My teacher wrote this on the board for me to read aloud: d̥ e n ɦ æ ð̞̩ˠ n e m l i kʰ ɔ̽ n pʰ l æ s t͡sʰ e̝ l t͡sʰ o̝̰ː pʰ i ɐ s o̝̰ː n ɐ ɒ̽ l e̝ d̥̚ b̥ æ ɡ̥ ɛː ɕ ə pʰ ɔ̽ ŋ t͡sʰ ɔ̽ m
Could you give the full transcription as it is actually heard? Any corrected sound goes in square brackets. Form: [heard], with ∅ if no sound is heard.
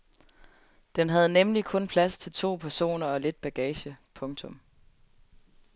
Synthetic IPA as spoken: d̥ e n ɦ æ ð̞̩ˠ n e m l i kʰ ɔ̽ n pʰ l æ s t͡sʰ e̝ l t͡sʰ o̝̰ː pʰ [æ] ɐ s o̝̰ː n ɐ ɒ̽ l e̝ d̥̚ b̥ æ ɡ̥ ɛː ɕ ə pʰ ɔ̽ ŋ t͡sʰ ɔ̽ m